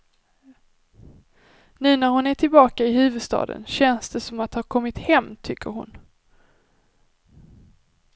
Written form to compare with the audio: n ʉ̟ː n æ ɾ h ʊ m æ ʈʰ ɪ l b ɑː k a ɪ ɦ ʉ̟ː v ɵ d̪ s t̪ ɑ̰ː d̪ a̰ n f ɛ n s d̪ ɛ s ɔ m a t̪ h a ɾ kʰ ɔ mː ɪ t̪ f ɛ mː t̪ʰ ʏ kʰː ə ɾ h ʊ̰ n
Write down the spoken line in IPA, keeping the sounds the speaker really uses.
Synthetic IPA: n ʉ̟ː n æ ɾ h ʊ n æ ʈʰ ɪ l b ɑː k a ɪ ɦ ʉ̟ː v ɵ d̪ s t̪ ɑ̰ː d̪ ə̰ n ɕ ɛ n s d̪ ɛ s ɔ m a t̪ h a ɾ kʰ ɔ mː ɪ t̪ h ɛ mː t̪ʰ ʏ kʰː ə ɾ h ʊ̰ n